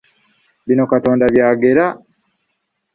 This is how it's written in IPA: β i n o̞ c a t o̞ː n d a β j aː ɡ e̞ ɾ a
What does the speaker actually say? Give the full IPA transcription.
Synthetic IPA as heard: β i n o̞ k a t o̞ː n d a β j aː ɡ e̞ ɾ a